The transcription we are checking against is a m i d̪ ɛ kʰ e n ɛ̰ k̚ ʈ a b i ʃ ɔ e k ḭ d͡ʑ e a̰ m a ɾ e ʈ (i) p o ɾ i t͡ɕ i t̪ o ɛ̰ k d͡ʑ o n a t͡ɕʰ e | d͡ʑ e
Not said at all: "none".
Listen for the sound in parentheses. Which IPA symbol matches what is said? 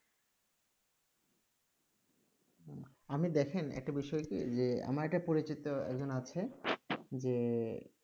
a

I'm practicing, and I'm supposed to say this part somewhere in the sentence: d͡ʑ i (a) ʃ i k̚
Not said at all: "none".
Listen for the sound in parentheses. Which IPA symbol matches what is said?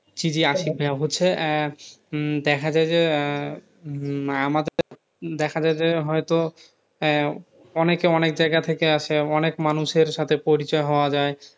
a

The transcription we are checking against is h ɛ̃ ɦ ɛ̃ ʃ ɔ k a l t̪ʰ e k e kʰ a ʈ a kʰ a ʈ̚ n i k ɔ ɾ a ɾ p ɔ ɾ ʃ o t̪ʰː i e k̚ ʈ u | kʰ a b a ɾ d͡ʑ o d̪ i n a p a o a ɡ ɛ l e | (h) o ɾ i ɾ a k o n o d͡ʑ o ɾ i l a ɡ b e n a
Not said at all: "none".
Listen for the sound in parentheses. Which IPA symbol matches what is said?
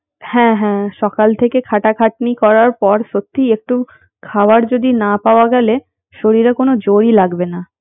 ʃ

